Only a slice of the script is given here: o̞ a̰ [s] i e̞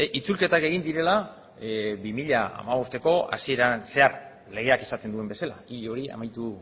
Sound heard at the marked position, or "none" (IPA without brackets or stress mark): s